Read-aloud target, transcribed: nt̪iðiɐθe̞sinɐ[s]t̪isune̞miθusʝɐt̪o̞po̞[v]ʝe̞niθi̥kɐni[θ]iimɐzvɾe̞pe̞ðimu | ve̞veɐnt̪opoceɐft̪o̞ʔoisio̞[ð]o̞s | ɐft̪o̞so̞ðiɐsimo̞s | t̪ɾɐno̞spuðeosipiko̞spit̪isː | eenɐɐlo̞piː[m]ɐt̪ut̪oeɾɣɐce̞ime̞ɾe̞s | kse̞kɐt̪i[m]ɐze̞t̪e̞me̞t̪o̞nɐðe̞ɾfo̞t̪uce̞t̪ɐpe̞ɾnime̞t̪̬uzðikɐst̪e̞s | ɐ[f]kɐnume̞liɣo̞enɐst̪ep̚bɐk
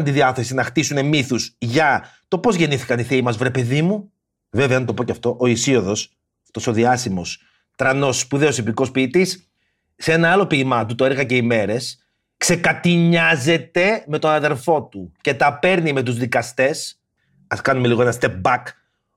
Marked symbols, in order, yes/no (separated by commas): no, no, yes, yes, yes, no, no